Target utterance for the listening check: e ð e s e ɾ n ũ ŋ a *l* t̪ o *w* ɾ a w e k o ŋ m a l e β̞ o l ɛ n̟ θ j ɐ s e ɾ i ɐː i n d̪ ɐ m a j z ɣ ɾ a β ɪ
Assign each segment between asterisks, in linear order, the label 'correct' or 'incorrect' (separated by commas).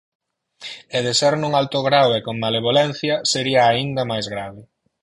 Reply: correct, incorrect